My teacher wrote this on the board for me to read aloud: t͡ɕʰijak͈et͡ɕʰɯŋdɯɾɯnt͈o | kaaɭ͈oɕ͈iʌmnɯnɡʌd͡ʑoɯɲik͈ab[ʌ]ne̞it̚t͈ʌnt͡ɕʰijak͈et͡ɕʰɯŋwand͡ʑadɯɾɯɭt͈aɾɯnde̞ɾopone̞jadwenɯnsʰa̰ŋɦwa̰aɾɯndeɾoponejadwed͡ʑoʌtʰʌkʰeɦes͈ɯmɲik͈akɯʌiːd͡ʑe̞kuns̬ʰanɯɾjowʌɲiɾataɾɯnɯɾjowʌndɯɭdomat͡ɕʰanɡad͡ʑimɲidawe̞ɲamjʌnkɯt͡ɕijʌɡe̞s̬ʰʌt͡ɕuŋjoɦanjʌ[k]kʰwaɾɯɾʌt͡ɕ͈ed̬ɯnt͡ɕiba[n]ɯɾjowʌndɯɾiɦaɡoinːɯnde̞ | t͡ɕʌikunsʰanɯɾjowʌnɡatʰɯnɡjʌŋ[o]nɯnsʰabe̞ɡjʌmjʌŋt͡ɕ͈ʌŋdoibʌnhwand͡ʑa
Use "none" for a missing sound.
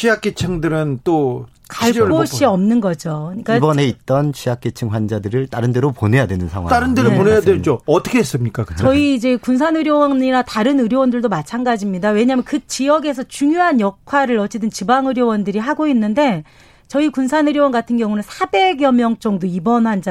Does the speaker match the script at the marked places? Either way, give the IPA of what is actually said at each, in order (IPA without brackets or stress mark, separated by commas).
ʌ, k, ŋ, u